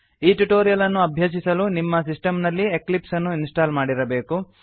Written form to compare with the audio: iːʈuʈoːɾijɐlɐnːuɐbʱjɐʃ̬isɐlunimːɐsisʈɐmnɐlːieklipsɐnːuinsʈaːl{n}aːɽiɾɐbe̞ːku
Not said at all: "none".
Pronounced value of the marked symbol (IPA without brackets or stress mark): m